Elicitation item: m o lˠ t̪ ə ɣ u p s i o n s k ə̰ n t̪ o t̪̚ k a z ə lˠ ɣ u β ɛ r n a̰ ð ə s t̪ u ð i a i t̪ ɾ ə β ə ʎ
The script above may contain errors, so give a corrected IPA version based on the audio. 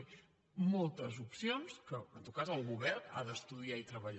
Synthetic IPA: m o lˠ t̪ ə z u p s i o n s k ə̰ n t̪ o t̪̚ k a z ə lˠ ɣ u β ɛ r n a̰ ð ə s t̪ u ð i a i t̪ ɾ ə β ə ʎ